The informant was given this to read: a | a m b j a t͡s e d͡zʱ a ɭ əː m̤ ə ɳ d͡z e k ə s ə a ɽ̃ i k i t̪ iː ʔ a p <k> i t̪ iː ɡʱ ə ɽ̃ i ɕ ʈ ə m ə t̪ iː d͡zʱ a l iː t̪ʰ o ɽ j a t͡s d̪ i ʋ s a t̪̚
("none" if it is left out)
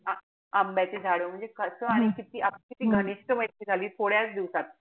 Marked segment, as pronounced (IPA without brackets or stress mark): k